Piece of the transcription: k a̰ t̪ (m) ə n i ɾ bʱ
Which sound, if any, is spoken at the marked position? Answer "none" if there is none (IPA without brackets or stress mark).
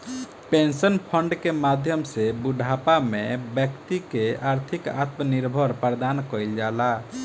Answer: m